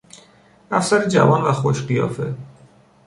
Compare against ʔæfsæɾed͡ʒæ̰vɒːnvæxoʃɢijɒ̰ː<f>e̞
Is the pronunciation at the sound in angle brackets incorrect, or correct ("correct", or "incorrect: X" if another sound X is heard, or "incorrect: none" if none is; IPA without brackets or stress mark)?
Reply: correct